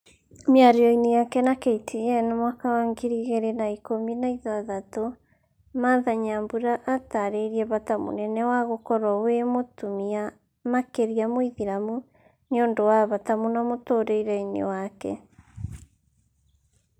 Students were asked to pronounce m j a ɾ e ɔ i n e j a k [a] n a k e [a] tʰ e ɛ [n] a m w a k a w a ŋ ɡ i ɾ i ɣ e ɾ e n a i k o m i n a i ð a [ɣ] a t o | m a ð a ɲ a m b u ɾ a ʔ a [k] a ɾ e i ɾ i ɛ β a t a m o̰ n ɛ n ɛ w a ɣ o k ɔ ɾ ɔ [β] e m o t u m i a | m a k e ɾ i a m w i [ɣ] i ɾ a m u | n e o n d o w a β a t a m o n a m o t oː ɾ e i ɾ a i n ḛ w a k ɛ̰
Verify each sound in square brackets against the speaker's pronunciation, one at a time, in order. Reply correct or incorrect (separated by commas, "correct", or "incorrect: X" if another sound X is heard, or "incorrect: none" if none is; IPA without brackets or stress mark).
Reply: incorrect: ɛ, incorrect: i, correct, incorrect: ð, incorrect: t, incorrect: w, incorrect: ð